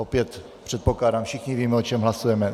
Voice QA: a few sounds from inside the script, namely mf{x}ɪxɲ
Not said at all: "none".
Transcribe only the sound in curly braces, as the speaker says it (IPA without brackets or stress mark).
ʃ